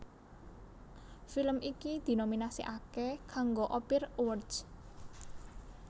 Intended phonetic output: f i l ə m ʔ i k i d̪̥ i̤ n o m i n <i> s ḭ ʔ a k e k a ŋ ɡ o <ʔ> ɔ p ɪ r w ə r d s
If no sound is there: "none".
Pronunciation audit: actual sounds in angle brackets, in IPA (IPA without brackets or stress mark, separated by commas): a, ʔ